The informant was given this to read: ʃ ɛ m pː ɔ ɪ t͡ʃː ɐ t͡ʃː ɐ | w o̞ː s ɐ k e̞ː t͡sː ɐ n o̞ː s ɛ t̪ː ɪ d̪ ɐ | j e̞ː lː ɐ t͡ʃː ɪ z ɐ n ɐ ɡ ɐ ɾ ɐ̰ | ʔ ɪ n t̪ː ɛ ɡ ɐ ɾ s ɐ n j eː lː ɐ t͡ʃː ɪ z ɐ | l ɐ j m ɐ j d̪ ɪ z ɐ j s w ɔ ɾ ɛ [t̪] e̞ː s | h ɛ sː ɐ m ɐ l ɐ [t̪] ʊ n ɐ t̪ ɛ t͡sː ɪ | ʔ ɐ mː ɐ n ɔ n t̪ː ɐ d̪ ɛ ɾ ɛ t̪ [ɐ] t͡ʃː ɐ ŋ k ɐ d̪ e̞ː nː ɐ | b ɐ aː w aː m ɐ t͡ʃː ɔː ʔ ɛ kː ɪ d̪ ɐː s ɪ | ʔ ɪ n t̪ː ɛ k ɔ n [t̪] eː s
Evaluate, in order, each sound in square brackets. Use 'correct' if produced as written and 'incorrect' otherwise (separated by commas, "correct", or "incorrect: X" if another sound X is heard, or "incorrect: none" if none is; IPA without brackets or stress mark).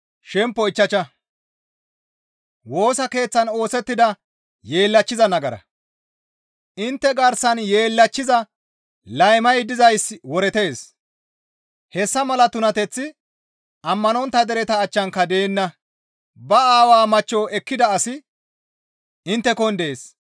correct, correct, incorrect: ɐː, incorrect: d̪